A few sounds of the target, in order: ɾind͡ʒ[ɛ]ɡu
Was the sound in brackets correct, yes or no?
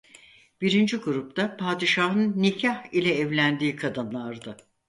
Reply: no